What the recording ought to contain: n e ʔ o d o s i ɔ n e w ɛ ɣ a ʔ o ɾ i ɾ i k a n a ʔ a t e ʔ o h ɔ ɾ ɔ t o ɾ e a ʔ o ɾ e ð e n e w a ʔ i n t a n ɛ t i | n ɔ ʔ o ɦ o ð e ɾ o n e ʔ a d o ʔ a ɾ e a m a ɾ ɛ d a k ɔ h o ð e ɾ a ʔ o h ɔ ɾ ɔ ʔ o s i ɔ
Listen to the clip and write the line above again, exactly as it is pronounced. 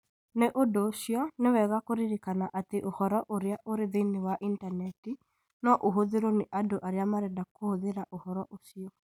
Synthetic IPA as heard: n e ʔ o d o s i ɔ n e w ɛ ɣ a k o ɾ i ɾ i k a n a ʔ a t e ʔ o h ɔ ɾ ɔ ʔ o ɾ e a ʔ o ɾ e ð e n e w a ʔ i n t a n ɛ t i | n ɔ ʔ o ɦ o ð e ɾ o n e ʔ a d o ʔ a ɾ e a m a ɾ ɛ d a k o h o ð e ɾ a ʔ o h ɔ ɾ ɔ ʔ o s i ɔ